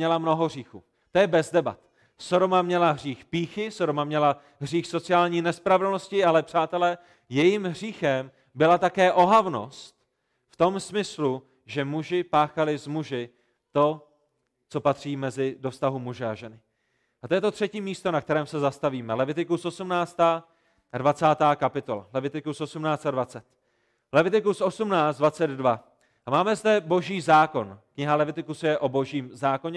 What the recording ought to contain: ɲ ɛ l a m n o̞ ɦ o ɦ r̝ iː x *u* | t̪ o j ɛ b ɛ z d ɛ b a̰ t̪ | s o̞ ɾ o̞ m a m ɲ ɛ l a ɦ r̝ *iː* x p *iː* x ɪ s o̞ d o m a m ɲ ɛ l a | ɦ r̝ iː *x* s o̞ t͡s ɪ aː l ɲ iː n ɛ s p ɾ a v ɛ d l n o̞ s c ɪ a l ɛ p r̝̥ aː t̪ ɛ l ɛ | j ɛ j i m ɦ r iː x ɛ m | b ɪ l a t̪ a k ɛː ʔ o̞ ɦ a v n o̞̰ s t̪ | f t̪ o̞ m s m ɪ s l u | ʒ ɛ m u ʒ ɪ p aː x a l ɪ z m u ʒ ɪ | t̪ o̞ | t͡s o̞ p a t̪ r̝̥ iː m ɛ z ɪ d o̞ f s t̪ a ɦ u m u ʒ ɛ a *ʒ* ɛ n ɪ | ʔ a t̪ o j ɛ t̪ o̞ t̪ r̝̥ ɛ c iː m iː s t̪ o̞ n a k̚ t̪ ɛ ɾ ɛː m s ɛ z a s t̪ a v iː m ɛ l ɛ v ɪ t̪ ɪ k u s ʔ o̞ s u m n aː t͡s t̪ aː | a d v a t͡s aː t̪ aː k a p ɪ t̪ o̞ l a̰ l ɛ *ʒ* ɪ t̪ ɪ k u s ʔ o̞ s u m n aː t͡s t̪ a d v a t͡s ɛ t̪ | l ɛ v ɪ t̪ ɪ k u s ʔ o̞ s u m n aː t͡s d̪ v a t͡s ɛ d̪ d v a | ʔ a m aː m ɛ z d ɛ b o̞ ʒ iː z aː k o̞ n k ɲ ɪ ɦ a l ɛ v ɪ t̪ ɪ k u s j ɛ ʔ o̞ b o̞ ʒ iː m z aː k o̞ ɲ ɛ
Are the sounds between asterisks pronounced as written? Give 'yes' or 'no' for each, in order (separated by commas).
no, yes, yes, yes, yes, no